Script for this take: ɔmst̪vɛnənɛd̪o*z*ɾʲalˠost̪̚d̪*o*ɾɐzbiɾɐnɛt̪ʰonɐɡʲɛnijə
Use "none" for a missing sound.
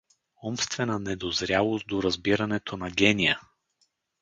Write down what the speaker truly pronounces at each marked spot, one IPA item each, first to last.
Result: z, o

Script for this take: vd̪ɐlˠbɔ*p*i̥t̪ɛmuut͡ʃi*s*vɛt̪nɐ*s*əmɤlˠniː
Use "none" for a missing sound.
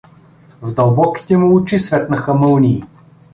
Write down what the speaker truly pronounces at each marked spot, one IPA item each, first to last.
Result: k, s, x

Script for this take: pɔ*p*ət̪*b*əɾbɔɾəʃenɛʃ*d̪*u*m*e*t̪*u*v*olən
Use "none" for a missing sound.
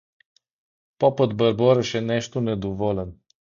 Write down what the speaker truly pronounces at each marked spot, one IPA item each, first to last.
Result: p, b, t̪, n, d̪, v

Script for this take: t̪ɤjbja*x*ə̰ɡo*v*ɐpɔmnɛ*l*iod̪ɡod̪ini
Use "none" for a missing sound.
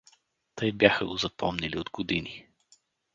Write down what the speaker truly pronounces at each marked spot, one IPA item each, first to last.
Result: x, z, l

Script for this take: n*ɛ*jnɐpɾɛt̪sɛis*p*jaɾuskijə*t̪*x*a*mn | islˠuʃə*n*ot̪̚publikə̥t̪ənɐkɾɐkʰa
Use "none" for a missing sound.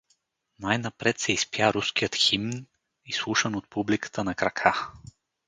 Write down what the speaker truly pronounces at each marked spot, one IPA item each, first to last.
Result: a, p, t̪, i, n

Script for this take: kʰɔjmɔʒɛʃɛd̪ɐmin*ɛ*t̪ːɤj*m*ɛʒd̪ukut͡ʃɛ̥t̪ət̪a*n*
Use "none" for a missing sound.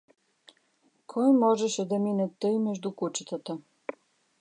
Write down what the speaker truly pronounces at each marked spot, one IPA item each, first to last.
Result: ɛ, m, none

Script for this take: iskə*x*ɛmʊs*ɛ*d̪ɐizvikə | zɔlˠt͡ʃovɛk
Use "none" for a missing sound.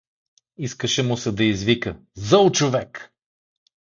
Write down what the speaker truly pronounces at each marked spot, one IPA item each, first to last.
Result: ʃ, ɛ

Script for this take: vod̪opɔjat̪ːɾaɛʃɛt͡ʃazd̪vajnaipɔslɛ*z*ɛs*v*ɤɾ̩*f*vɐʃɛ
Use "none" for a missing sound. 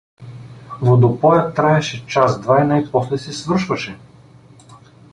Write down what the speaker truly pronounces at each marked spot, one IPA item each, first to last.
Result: s, v, ʃ

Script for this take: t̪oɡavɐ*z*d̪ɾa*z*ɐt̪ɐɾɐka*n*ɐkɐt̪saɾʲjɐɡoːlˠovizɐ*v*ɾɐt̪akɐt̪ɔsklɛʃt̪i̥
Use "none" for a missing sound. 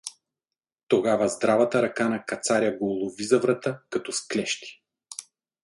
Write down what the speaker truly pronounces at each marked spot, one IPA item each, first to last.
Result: z, v, n, v

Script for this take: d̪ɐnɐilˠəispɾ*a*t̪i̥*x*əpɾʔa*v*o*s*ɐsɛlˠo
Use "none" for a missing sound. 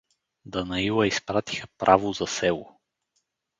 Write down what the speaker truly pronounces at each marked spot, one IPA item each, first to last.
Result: a, x, v, z

